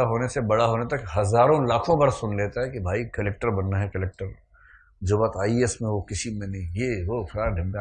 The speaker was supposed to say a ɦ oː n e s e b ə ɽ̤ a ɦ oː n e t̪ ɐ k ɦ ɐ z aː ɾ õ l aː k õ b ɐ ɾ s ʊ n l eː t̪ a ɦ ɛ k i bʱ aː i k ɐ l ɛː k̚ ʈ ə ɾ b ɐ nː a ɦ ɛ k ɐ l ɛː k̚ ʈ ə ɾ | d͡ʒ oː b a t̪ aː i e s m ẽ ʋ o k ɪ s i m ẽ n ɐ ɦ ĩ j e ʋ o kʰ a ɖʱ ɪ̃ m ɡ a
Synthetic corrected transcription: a ɦ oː n e s e b ɐ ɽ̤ a ɦ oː n e t̪ ɐ k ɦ ɐ z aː ɾ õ l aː kʰ õ b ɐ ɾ s ʊ n l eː t̪ a ɦ ɛ k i bʱ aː i k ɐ l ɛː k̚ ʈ ə ɾ b ɐ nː a ɦ ɛ k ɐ l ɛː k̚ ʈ ə ɾ | d͡ʒ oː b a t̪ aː i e s m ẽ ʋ o k ɪ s i m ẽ n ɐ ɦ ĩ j e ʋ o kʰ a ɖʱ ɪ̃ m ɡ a

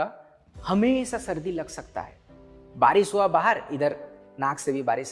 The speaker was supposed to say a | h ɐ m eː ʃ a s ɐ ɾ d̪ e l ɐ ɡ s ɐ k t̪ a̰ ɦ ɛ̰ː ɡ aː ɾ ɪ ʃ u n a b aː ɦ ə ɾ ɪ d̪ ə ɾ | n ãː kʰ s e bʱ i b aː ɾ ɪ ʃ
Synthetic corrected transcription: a | h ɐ m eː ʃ a s ɐ ɾ d̪ i l ɐ ɡ s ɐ k t̪ a̰ ɦ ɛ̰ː b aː ɾ ɪ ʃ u a b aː ɦ ə ɾ ɪ d̪ ə ɾ | n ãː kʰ s e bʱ i b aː ɾ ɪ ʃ

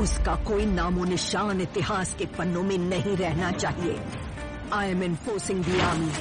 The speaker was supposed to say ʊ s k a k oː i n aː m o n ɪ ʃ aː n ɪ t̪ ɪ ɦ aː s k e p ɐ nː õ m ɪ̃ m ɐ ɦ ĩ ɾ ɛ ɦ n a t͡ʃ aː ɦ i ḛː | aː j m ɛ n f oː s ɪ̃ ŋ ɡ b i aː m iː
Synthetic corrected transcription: ʊ s k a k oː i n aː m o n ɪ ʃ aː n ɪ t̪ ɪ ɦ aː s k e p ɐ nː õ m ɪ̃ n ɐ ɦ ĩ ɾ ɛ ɦ n a t͡ʃ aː ɦ i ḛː | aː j m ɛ n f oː s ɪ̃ ŋ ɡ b i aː m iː

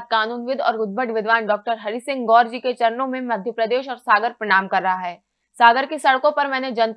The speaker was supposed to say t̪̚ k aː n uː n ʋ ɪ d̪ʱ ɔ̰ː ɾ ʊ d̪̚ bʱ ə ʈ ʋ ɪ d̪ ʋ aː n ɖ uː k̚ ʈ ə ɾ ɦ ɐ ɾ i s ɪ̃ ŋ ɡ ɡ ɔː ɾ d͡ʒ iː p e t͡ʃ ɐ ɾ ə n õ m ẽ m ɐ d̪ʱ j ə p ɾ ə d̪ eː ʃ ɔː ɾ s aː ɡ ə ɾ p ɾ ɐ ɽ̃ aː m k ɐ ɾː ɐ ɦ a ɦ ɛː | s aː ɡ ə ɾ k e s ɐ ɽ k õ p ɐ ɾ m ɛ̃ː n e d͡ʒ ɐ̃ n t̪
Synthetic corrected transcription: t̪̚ k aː n uː n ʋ ɪ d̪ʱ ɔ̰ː ɾ ʊ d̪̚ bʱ ə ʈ ʋ ɪ d̪ ʋ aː n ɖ ɔː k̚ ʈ ə ɾ ɦ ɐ ɾ i s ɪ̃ ŋ ɡ ɡ ɔː ɾ d͡ʒ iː k e t͡ʃ ɐ ɾ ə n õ m ẽ m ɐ d̪ʱ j ə p ɾ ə d̪ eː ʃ ɔː ɾ s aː ɡ ə ɾ p ɾ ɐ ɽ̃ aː m k ɐ ɾː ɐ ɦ a ɦ ɛː | s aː ɡ ə ɾ k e s ɐ ɽ k õ p ɐ ɾ m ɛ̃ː n e d͡ʒ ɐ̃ n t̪

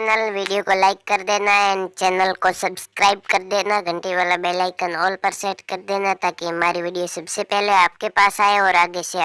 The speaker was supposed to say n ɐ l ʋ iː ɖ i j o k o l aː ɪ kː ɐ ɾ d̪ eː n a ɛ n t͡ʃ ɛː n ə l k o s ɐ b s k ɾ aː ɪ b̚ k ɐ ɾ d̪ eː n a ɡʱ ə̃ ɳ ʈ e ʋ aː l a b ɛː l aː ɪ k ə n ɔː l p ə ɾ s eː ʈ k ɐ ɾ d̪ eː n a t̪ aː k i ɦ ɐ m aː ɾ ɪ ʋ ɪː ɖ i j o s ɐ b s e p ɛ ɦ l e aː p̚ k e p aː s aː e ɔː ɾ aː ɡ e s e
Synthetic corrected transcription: n ə l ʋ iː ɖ i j o k o l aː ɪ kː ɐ ɾ d̪ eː n a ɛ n t͡ʃ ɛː n ə l k o s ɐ b s k ɾ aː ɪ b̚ k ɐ ɾ d̪ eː n a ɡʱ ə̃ ɳ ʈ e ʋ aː l a b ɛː l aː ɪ k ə n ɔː l p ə ɾ s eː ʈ k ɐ ɾ d̪ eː n a t̪ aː k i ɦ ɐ m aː ɾ i ʋ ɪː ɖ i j o s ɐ b s e p ɛ ɦ l e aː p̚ k e p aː s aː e ɔː ɾ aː ɡ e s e

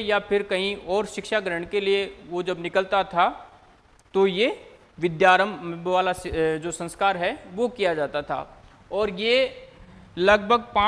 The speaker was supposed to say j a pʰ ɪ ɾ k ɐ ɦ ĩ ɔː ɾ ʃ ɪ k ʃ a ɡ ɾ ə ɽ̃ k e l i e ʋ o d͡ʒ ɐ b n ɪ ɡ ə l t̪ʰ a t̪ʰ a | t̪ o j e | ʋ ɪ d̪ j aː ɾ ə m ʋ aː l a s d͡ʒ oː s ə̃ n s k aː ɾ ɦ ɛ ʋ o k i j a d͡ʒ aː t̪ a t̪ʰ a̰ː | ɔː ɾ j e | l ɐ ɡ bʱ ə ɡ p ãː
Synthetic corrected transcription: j a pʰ ɪ ɾ k ɐ ɦ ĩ ɔː ɾ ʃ ɪ k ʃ a ɡ ɾ ə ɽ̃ k e l i e ʋ o d͡ʒ ɐ b n ɪ k ə l t̪ a t̪ʰ a | t̪ o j e | ʋ ɪ d̪ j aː ɾ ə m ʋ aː l a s d͡ʒ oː s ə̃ n s k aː ɾ ɦ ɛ ʋ o k i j a d͡ʒ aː t̪ a t̪ʰ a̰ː | ɔː ɾ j e | l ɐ ɡ bʱ ə ɡ p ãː

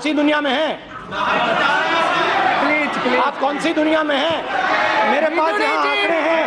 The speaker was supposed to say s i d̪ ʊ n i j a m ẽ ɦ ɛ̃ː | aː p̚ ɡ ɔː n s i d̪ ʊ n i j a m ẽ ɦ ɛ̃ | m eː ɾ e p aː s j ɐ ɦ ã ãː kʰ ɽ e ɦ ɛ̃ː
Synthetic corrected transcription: s i d̪ ʊ n i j a m ẽ ɦ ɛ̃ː | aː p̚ k ɔː n s i d̪ ʊ n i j a m ẽ ɦ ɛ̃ | m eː ɾ e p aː s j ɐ ɦ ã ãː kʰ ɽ e ɦ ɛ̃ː

